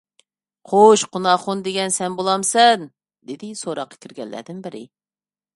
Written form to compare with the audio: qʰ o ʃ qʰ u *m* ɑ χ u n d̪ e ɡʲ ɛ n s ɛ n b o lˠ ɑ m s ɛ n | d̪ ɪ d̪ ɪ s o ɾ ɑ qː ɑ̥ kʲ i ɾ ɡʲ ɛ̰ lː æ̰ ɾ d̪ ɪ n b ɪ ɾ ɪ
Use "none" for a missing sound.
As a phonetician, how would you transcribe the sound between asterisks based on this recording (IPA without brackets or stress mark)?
n